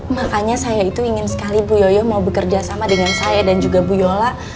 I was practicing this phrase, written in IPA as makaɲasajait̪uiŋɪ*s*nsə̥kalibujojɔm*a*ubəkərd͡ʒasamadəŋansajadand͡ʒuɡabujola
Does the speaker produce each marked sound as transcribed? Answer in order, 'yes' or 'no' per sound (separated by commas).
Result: no, yes